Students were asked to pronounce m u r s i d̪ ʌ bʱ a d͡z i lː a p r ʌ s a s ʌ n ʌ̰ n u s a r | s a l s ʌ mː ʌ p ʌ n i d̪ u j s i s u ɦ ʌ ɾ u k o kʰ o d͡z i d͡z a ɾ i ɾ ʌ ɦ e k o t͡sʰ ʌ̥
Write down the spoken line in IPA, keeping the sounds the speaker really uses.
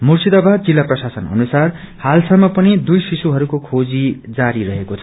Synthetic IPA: m u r s i d̪ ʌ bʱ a d͡z i lː a p r ʌ s a s ʌ n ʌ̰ n u s a r | h a l s ʌ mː ʌ p ʌ n i d̪ u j s i s u ɦ ʌ ɾ u k o kʰ o d͡z i d͡z a ɾ i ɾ ʌ ɦ e k o t͡sʰ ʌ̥